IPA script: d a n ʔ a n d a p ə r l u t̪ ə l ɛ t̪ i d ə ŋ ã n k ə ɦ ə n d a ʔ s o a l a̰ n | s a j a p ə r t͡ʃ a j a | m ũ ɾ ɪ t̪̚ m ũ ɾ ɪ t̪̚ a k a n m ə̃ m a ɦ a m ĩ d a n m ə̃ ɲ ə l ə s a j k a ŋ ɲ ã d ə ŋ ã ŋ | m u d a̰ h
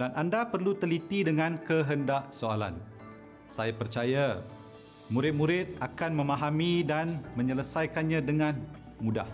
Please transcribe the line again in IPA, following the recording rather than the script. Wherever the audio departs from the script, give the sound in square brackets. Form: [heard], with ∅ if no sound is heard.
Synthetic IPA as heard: d a n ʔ a n d a p ə r l u t̪ ə l [i] t̪ i d ə ŋ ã n k ə ɦ ə n d a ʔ s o a l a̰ n | s a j a p ə r t͡ʃ a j a | m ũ ɾ ɪ t̪̚ m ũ ɾ ɪ t̪̚ a k a n m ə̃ m a ɦ a m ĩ d a n m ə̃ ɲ ə l ə s a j k a [n] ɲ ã d ə ŋ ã [n] | m u d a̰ h